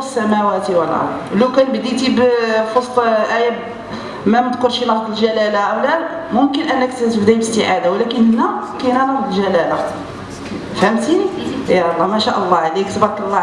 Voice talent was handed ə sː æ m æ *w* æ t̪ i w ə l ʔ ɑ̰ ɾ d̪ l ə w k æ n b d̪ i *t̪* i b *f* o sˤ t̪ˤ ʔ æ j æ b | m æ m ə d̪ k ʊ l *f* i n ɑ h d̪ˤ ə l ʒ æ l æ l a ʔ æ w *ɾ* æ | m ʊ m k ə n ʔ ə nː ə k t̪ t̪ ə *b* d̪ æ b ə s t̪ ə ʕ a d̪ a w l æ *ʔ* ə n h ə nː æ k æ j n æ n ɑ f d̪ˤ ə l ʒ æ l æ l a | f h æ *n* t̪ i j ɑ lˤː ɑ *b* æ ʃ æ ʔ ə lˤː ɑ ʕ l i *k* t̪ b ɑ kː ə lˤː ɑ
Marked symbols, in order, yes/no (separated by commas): yes, yes, yes, no, no, yes, no, no, no, yes